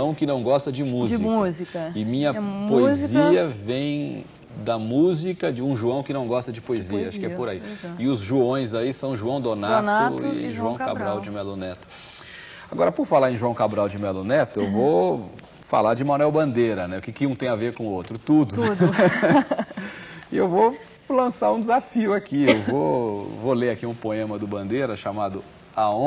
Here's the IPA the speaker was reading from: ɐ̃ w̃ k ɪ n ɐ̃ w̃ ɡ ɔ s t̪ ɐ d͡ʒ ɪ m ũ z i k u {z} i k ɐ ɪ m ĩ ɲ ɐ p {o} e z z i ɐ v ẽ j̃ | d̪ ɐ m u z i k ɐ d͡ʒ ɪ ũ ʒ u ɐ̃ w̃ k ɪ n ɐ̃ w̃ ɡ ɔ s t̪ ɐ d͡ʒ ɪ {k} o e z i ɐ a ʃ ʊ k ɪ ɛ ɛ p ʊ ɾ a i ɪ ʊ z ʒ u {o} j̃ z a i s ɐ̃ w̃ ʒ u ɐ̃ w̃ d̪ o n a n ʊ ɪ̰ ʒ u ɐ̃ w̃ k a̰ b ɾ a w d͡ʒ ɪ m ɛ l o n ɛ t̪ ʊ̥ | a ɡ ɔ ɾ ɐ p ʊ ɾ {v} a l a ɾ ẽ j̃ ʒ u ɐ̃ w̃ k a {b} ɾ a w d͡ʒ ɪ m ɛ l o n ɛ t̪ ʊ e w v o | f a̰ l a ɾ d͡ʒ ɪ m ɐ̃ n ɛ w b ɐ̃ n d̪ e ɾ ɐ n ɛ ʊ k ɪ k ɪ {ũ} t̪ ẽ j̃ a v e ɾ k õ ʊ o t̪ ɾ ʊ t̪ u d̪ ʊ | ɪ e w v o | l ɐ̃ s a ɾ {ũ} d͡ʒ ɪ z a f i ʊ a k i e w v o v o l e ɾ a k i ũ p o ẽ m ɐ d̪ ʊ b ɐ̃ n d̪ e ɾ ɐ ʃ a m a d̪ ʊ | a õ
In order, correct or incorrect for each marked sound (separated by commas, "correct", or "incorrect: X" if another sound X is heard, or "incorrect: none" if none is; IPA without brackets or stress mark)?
correct, correct, incorrect: p, incorrect: õ, incorrect: f, correct, correct, correct